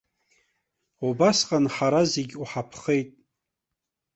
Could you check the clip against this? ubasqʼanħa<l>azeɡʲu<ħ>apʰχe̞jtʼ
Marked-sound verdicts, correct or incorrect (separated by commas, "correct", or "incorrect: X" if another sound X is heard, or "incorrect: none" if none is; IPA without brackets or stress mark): incorrect: ɾ, correct